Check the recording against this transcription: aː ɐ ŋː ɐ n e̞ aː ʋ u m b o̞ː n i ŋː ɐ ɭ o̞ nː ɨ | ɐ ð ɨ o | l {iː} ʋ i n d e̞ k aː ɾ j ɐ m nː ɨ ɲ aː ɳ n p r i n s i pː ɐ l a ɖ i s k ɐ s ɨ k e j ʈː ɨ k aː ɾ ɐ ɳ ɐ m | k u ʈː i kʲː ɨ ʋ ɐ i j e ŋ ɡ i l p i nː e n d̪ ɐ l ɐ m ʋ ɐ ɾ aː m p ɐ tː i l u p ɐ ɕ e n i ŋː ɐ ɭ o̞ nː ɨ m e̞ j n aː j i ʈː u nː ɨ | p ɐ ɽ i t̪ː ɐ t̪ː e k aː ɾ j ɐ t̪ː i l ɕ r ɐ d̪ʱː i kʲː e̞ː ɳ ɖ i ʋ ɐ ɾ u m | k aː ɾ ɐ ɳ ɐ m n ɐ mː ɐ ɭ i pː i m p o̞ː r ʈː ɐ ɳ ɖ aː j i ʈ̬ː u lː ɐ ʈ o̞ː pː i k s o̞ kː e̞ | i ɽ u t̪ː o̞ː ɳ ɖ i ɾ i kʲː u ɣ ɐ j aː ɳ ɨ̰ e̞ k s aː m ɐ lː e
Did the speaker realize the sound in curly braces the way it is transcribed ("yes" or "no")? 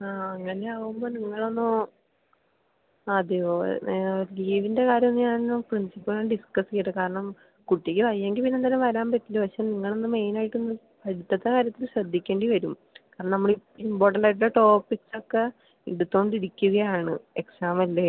yes